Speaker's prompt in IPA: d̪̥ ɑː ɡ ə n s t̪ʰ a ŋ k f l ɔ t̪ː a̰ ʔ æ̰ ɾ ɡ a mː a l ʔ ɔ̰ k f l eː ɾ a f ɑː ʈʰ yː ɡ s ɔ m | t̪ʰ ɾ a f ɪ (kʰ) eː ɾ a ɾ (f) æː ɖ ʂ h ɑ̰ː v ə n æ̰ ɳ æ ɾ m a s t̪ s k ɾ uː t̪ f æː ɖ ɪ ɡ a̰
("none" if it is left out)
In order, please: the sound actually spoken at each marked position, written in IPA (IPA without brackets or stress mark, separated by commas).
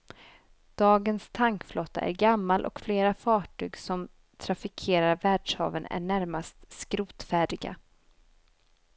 kʰ, v